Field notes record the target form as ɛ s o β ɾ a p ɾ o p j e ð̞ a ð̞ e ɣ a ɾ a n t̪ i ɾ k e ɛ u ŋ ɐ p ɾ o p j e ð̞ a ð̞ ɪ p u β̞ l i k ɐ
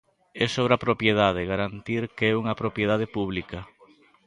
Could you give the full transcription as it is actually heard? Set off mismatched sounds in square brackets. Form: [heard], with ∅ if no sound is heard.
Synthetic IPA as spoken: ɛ s o β ɾ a p ɾ o p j e ð̞ a ð̞ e ɣ a ɾ a n t̪ i ɾ k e ɛ u ŋ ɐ p ɾ o p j e ð̞ a ð̞ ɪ p u β̞ l i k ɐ

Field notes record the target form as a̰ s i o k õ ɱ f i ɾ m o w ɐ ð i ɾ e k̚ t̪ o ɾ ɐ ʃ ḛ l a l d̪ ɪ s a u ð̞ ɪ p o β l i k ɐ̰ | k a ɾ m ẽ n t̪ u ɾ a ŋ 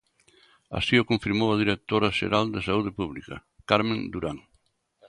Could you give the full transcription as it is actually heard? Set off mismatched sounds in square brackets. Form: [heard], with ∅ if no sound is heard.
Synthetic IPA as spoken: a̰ s i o k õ ɱ f i ɾ m o w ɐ ð i ɾ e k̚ t̪ o ɾ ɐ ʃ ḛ [ɾ] a l d̪ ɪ s a u ð̞ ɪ p [u] β l i k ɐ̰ | k a ɾ m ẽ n [d̪] u ɾ a ŋ

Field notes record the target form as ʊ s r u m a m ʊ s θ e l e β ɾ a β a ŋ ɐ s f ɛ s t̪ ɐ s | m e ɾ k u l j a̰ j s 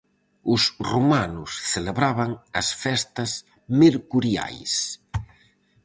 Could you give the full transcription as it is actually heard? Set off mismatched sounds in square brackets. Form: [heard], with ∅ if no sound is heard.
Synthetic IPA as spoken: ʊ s r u m a [n] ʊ s θ e l e β ɾ a β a ŋ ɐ s f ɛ s t̪ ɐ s | m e ɾ k u [ɾ] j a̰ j s

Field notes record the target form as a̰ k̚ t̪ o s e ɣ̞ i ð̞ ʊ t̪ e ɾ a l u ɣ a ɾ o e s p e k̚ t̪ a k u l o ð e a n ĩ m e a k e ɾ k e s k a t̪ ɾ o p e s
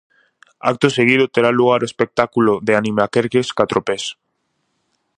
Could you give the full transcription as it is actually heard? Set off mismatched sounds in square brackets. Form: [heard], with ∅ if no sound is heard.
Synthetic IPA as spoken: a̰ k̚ t̪ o s e ɣ̞ i ð̞ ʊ t̪ e ɾ a l u ɣ a ɾ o e s p e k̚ t̪ a k u l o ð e a n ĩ m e a k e ɾ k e s k a t̪ ɾ o p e s

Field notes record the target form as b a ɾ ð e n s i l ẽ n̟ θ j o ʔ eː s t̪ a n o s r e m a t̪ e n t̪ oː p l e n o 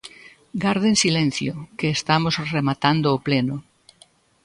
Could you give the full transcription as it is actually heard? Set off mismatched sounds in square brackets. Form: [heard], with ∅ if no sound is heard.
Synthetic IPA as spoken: [ɡ] a ɾ ð e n s i l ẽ n̟ θ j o [k] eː s t̪ a [m] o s r e m a t̪ [a] n [d̪] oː p l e n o

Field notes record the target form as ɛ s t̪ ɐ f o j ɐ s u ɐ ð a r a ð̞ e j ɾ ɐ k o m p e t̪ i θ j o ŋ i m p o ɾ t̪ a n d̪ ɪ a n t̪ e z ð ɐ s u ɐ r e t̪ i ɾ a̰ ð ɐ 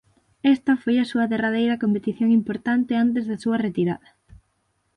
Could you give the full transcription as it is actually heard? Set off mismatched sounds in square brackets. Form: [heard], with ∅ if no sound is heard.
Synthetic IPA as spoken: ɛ s t̪ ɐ f o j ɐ s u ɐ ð [e] r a ð̞ e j ɾ ɐ k o m p e t̪ i θ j o ŋ i m p o ɾ t̪ a n [t̪] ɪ a n t̪ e z ð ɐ s u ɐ r e t̪ i ɾ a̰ ð ɐ

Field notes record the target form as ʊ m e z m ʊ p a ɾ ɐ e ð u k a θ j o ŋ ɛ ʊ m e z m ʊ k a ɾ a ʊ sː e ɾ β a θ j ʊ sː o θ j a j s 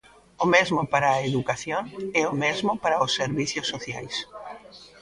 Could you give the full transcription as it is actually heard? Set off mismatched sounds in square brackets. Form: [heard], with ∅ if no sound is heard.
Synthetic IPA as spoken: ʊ m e z m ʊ p a ɾ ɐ e ð u k a θ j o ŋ ɛ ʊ m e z m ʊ [p] a ɾ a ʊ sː e ɾ β [i] θ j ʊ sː o θ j a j s

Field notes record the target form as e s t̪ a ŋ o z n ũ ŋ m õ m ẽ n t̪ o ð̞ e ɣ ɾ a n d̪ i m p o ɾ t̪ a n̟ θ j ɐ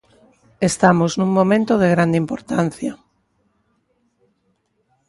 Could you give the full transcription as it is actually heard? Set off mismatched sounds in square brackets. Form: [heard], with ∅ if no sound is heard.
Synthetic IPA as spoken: e s t̪ a [m] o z n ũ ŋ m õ m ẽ n t̪ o ð̞ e ɣ ɾ a n d̪ i m p o ɾ t̪ a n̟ θ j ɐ

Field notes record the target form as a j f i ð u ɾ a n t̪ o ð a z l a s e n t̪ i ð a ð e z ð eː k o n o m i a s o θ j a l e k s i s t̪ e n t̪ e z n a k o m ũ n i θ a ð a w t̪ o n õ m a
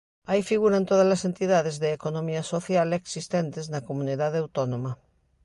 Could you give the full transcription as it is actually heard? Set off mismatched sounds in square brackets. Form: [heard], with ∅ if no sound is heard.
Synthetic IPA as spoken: a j f i [ɣ] u ɾ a n t̪ o ð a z l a s e n t̪ i ð a ð e z ð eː k o n o m i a s o θ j a l e k s i s t̪ e n t̪ e z n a k o m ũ n i [ð] a ð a w t̪ o n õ m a

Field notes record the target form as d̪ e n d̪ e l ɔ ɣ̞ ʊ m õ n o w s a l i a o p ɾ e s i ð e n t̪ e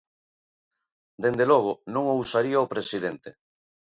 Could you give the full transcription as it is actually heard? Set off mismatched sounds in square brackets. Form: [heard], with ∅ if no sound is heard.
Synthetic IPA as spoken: d̪ e n d̪ e l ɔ ɣ̞ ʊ [n] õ [ŋ] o w s a [ɾ] i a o p ɾ e s i ð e n t̪ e

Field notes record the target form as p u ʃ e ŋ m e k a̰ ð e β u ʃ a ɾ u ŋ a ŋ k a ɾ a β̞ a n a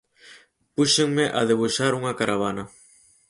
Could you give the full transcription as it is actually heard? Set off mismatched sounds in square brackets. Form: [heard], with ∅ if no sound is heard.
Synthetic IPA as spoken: p u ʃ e ŋ m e [ʔ] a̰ ð e β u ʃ a ɾ u ŋ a [∅] k a ɾ a β̞ a n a

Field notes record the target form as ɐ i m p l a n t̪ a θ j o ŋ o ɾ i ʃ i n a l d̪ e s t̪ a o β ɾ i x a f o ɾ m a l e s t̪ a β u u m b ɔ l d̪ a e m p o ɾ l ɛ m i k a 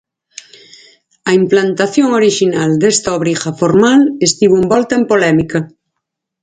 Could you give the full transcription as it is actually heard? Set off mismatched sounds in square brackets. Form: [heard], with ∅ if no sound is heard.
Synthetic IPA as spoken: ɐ i m p l a n t̪ a θ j o ŋ o ɾ i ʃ i n a l d̪ e s t̪ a o β ɾ i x a f o ɾ m a l e s t̪ [i] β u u m b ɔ l [t̪] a e m p o [∅] l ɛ m i k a

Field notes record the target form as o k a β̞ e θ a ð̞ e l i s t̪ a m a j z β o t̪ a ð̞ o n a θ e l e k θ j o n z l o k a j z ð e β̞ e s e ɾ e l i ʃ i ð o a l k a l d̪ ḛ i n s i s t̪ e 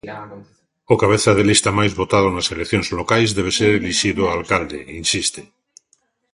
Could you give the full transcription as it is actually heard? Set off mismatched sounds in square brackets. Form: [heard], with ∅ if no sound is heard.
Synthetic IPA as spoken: o k a β̞ e θ a ð̞ e l i s t̪ a m a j z β o t̪ a ð̞ o n a [s] e l e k θ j o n z l o k a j z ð e β̞ e s e ɾ e l i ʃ i ð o a l k a l d̪ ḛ i n s i s t̪ e

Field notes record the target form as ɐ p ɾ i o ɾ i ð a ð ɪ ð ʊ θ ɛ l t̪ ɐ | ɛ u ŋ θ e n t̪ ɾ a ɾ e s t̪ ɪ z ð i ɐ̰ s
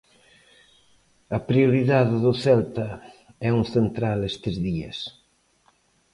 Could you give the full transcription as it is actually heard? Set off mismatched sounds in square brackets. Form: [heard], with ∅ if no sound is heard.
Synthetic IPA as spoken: ɐ p ɾ i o ɾ i ð a ð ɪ ð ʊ θ ɛ l t̪ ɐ | ɛ u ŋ θ e n t̪ ɾ a [l] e s t̪ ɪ z ð i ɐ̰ s

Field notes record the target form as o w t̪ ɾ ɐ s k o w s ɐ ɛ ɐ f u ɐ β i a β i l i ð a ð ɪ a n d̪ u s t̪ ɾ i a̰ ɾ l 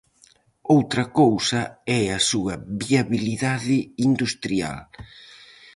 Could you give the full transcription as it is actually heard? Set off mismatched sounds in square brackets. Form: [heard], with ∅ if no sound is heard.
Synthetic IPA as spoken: o w t̪ ɾ ɐ [∅] k o w s ɐ ɛ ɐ [s] u ɐ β i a β i l i ð a ð ɪ [i] n d̪ u s t̪ ɾ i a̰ [∅] l

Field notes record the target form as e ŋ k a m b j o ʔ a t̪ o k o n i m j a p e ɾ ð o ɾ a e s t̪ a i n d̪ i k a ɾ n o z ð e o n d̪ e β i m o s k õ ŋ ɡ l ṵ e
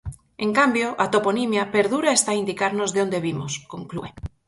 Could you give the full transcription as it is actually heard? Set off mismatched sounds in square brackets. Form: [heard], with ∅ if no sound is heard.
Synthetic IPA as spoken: e ŋ k a m b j o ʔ a t̪ o [p] o n i m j a p e ɾ ð [u] ɾ a e s t̪ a i n d̪ i k a ɾ n o z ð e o n d̪ e β i m o s k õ ŋ [k] l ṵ e

